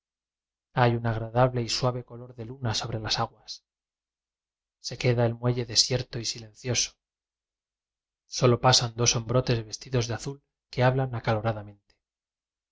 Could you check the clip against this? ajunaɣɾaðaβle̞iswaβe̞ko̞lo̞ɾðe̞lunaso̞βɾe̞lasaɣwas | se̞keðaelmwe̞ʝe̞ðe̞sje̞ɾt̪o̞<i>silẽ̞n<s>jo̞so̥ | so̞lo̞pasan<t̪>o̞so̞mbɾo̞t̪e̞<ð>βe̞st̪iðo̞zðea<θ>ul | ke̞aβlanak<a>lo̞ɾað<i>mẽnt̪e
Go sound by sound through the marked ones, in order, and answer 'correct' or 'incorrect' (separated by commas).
correct, incorrect, incorrect, incorrect, correct, correct, incorrect